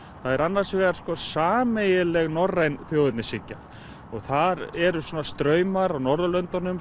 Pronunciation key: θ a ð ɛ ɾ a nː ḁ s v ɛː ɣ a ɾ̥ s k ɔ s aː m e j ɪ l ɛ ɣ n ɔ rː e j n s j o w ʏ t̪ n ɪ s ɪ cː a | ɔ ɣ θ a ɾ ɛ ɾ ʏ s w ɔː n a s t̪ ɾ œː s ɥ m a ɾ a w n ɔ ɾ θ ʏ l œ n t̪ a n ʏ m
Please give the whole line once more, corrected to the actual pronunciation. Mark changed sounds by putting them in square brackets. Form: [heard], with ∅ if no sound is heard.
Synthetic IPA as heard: θ a ð ɛ ɾ a nː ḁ s v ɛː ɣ a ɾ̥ s k ɔ s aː m e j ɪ l ɛ ɣ n ɔ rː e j n [θ] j o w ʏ t̪ n ɪ s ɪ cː a | ɔ ɣ θ a ɾ ɛ ɾ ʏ s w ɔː n a s t̪ ɾ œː [∅] ɥ m a ɾ a w n ɔ ɾ [ð] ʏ l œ n t̪ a n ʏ m